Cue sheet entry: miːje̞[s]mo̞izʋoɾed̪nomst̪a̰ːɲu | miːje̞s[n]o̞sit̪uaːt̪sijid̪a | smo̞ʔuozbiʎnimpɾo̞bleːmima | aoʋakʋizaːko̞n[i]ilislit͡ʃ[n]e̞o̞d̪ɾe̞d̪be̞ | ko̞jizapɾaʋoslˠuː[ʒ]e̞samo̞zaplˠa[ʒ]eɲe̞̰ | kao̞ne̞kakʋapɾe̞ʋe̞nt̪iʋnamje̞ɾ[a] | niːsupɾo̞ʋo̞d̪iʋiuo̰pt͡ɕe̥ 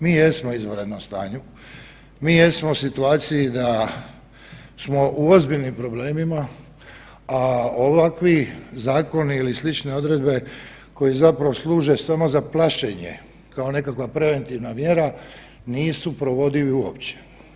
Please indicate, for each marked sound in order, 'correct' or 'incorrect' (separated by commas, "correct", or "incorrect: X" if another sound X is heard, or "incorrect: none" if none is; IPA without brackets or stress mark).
correct, incorrect: m, correct, correct, correct, incorrect: ʃ, correct